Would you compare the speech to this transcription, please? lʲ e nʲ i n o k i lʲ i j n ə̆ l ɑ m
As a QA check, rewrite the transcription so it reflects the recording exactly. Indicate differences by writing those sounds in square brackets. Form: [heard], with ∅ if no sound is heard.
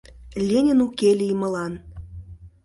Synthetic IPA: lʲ e nʲ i n [u] k [e] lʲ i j [m] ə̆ l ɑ [n]